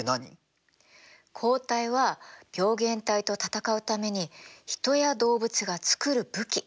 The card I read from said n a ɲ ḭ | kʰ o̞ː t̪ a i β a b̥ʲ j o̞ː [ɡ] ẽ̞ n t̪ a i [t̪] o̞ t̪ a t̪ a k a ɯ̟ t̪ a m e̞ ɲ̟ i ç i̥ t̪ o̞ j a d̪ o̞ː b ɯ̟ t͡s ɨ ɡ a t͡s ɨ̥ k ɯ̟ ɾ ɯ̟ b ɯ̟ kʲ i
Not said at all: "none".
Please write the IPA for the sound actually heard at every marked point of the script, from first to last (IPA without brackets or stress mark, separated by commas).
ɡ, t̪